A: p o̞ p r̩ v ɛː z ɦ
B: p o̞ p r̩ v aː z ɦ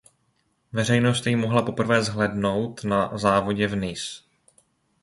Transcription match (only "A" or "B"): A